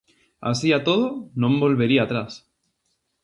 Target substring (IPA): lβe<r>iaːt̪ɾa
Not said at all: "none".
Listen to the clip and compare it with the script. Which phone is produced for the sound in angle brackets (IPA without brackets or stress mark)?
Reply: ɾ